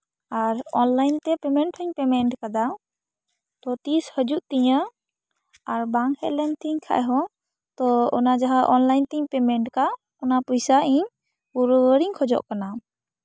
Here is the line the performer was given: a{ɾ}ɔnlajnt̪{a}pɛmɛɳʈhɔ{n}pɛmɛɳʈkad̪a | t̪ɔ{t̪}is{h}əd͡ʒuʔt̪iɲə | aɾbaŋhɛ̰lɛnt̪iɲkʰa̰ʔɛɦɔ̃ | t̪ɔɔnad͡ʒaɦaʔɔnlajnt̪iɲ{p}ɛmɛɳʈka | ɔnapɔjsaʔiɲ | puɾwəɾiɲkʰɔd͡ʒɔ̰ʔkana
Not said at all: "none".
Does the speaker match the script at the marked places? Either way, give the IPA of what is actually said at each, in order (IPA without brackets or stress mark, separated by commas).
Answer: ɾ, ɛ, ɲ, t̪, h, p